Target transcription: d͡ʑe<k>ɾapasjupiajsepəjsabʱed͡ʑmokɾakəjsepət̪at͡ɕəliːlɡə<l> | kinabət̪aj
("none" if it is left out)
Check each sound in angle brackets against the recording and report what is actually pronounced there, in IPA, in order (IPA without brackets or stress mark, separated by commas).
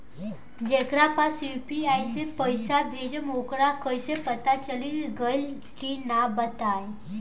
k, l